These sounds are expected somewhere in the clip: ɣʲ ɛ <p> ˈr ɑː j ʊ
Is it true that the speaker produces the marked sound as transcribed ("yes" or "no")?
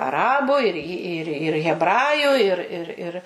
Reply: no